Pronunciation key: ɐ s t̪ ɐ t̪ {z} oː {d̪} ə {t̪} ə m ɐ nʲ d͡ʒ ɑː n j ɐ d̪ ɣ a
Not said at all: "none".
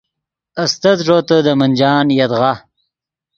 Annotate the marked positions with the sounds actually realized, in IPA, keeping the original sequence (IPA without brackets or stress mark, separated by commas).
ʐ, t̪, d̪